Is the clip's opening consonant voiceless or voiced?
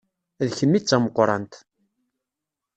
voiced